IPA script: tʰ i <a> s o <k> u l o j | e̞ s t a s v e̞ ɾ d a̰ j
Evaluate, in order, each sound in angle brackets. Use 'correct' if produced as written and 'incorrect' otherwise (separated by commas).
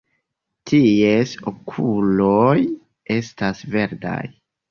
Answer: incorrect, incorrect